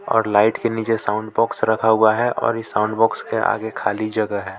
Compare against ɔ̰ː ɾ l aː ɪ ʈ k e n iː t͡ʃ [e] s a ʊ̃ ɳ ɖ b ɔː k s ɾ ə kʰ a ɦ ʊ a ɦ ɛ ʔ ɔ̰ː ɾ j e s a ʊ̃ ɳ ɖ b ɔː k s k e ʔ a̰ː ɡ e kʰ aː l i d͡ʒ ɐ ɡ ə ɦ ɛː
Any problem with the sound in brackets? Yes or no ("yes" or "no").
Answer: no